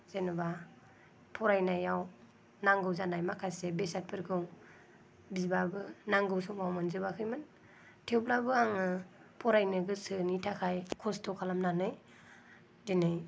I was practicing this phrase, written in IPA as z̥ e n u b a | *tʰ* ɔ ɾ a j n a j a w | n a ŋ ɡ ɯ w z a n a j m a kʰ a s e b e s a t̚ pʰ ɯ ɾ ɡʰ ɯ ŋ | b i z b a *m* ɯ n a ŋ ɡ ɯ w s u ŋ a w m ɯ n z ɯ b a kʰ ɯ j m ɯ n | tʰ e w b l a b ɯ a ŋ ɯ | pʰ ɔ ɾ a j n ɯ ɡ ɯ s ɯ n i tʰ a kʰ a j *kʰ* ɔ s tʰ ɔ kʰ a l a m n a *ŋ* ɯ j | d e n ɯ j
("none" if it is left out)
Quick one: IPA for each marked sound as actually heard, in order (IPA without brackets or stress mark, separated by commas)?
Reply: pʰ, b, kʰ, n